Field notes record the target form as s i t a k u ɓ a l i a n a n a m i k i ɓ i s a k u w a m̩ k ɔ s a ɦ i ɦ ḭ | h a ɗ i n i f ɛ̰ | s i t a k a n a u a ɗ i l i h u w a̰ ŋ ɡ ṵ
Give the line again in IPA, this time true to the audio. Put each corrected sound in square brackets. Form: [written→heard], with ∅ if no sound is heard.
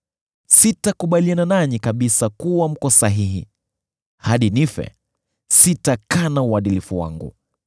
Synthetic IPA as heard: s i t a k u ɓ a l i a n a n a [m→ɲ] i k [i→a] ɓ i s a k u w a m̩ k ɔ s a ɦ i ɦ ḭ | h a ɗ i n i f ɛ̰ | s i t a k a n a u a ɗ i l i [h→f] u w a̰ ŋ ɡ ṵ

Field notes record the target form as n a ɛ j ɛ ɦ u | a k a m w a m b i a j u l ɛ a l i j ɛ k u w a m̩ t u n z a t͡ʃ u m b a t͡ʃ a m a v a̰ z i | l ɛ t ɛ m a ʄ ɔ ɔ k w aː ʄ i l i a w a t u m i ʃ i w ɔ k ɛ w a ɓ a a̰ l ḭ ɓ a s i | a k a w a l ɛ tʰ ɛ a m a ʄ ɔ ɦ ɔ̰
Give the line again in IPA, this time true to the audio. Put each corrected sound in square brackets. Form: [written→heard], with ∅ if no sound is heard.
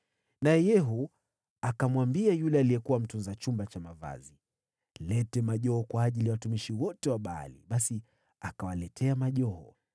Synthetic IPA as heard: n a ɛ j ɛ ɦ u | a k a m w a m b i a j u l ɛ a l i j ɛ k u w a m̩ t u n z a t͡ʃ u m b a t͡ʃ a m a v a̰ z i | l ɛ t ɛ m a ʄ ɔ ɔ k w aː ʄ i l i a w a t u m i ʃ i w ɔ [k→t] ɛ w a ɓ a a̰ l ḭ ɓ a s i | a k a w a l ɛ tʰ ɛ a m a ʄ ɔ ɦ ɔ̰

